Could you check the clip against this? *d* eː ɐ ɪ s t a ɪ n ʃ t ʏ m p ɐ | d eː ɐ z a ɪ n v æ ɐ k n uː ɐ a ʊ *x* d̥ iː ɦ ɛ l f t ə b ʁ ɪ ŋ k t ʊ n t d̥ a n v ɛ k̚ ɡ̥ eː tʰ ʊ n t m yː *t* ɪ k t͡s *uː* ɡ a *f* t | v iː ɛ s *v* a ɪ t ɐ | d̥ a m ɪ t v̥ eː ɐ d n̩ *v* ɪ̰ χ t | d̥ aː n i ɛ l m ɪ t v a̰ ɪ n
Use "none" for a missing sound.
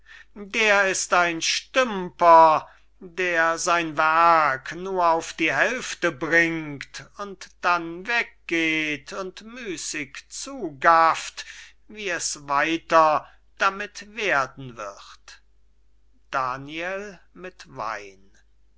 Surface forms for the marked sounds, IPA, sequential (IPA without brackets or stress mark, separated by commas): d, f, s, uː, f, v, v